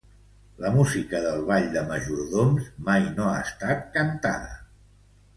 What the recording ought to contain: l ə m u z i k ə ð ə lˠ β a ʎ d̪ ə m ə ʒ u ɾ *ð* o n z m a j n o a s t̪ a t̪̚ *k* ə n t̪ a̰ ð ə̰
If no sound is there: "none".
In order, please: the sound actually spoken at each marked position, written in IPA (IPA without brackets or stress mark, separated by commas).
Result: ð, k